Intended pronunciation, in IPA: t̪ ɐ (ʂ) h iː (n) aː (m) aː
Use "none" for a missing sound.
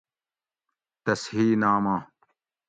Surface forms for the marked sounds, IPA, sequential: s, n, m

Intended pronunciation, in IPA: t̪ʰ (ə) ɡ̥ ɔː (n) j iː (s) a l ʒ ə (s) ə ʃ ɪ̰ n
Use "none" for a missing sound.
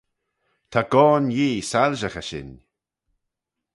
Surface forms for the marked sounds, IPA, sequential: a, n, s, x

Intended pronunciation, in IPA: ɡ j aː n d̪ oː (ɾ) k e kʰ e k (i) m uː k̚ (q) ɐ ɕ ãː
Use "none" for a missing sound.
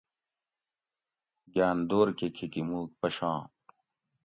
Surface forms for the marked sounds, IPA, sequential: ɾ, i, p

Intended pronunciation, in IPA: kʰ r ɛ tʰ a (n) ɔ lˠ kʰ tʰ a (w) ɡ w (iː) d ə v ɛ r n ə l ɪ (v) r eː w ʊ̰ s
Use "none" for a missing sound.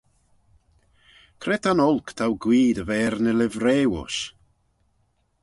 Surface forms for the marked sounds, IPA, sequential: n, w, iː, v

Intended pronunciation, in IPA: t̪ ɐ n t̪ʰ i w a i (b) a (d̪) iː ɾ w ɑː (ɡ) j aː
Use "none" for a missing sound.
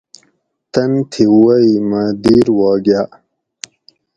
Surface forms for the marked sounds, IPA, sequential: m, d̪, ɡ

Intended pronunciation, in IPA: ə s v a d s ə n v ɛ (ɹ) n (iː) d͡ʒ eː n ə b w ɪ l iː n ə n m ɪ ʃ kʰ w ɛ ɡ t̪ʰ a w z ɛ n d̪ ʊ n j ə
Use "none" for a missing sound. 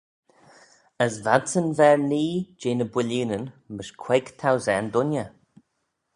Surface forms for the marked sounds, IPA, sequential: ɹ, iː

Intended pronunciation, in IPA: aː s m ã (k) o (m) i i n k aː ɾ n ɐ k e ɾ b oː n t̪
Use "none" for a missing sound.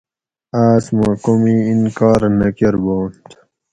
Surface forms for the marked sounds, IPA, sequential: k, m

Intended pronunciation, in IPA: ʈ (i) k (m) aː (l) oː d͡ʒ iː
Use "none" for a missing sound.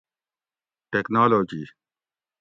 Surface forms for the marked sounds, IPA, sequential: e, n, l

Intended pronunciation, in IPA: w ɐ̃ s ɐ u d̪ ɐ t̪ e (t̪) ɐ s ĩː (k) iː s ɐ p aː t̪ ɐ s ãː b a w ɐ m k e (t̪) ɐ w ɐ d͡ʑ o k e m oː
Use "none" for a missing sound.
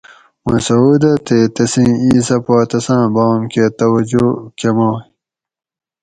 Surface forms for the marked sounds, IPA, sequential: t̪, none, t̪

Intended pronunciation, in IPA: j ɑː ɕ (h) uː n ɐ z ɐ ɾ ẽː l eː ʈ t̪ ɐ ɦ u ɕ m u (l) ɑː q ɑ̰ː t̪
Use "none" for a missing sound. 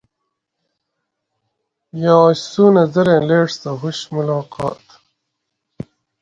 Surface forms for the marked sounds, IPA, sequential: s, l

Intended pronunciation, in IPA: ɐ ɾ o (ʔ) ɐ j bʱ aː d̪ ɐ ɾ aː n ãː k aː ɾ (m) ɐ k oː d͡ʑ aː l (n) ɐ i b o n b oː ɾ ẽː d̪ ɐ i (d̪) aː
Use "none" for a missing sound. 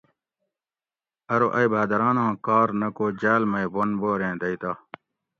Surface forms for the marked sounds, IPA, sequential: ʔ, n, m, t̪

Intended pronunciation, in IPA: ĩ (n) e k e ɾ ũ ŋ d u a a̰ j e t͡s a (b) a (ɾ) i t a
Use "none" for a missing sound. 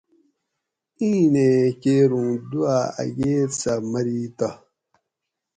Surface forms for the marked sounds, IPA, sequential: n, m, ɾ

